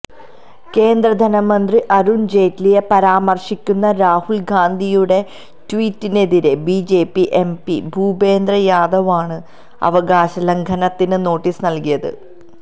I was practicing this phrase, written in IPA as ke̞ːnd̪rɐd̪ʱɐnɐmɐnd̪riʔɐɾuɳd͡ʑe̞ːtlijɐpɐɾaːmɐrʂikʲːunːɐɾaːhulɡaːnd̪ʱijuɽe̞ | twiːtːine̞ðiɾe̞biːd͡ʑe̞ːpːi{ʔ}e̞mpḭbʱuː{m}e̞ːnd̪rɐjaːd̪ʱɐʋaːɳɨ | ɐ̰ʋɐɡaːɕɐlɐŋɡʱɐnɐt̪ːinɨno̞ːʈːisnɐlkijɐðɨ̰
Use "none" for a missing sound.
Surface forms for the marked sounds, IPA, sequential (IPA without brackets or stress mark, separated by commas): ʔ, b